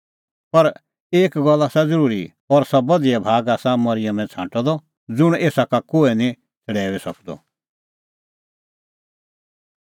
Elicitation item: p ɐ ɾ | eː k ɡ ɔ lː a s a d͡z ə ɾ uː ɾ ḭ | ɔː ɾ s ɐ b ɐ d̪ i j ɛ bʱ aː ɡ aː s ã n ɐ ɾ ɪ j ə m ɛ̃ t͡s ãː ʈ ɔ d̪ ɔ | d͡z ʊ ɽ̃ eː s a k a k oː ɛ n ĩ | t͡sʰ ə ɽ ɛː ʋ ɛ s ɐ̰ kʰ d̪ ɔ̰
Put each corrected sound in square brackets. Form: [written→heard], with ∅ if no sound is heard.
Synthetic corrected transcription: p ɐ ɾ | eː k ɡ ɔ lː a s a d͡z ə ɾ uː ɾ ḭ | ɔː ɾ s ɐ b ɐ d̪ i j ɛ bʱ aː ɡ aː s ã [n→m] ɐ ɾ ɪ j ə m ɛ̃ [t͡s→t͡sʰ] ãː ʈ ɔ d̪ ɔ | d͡z ʊ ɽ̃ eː s a k a k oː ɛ n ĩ | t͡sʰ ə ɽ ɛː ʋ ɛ s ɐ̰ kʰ d̪ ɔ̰